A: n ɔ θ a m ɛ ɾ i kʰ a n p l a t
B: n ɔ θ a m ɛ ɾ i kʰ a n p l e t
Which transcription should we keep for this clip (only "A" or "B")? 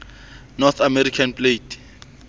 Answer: B